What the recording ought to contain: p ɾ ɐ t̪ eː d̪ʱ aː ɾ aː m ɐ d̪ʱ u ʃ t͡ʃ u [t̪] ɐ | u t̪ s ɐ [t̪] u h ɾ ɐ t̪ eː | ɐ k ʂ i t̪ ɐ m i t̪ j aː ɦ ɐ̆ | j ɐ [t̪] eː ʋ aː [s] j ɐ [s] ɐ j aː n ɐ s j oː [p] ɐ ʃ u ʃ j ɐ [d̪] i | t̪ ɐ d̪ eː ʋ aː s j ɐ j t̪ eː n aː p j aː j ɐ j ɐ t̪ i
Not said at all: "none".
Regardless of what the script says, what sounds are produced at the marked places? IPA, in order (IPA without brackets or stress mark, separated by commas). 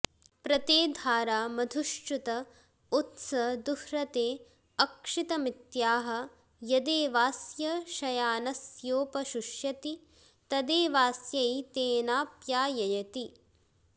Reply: t̪, d̪, d̪, s, ʃ, p, t̪